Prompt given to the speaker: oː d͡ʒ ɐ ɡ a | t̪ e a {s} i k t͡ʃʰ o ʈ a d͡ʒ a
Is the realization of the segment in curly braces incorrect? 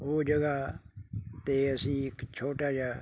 no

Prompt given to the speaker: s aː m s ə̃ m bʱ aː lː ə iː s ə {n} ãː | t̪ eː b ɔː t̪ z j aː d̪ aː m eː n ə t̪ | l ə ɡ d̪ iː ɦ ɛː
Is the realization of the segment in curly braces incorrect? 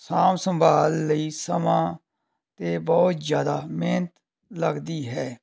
yes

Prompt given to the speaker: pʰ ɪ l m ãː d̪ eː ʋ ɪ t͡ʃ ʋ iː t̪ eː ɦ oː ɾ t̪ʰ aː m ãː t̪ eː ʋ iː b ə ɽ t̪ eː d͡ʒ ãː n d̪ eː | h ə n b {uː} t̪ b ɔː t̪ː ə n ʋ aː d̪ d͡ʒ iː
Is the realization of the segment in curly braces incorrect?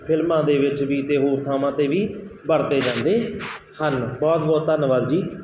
yes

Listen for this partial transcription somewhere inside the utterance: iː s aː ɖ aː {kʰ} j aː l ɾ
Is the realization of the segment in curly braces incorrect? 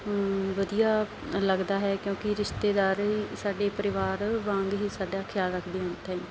no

